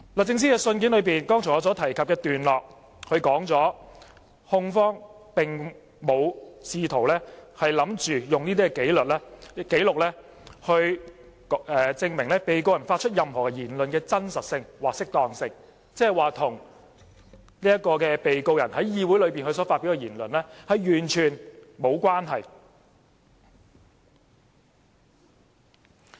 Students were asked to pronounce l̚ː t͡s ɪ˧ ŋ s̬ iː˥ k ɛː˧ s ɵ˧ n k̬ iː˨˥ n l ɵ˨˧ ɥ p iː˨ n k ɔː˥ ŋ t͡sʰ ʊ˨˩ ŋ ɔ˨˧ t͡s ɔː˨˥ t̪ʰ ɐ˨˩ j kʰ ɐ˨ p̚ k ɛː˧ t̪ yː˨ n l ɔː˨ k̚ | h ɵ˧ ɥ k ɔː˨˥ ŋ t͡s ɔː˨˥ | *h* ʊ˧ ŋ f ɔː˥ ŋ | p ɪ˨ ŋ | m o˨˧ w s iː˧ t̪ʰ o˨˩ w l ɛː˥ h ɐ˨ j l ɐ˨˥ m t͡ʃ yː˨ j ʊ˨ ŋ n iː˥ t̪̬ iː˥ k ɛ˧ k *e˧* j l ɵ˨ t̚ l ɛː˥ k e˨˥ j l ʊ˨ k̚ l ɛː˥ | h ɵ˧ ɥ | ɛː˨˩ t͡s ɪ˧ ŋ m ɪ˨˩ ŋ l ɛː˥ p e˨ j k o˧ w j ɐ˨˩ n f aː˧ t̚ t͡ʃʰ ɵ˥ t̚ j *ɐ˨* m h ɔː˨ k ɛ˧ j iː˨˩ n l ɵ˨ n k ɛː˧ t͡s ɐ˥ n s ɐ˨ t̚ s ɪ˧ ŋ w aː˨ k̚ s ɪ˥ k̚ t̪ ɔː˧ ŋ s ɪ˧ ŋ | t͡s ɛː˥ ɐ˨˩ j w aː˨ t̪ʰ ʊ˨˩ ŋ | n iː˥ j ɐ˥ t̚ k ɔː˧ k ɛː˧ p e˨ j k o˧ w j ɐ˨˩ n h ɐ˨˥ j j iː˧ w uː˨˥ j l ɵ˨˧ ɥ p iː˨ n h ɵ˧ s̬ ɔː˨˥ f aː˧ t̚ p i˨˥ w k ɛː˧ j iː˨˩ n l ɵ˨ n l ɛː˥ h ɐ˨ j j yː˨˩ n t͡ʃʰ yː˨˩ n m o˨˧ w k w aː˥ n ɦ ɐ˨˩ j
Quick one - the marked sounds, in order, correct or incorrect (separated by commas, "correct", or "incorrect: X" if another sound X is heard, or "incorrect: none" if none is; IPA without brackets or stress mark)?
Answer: correct, incorrect: e˨˥, correct